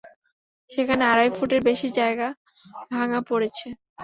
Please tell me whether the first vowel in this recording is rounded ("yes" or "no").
no